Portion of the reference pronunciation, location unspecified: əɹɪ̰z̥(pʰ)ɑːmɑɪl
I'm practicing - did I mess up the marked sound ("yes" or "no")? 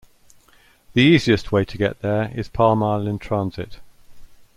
no